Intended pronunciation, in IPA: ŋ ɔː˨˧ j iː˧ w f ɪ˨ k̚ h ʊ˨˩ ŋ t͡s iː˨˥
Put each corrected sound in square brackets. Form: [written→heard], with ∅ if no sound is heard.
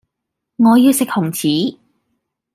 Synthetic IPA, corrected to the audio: ŋ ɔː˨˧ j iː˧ w [f→s] ɪ˨ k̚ h ʊ˨˩ ŋ [t͡s→t͡sʰ] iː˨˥